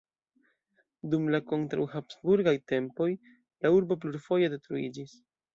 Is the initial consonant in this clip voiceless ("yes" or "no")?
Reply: no